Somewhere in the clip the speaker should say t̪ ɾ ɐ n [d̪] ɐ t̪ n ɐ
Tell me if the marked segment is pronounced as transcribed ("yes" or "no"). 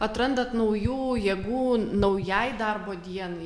yes